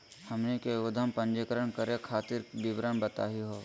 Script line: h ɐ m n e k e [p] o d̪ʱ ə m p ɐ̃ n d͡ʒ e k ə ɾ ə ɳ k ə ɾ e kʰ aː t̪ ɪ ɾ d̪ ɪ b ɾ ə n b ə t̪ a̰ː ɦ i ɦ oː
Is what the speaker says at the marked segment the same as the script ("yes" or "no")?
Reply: no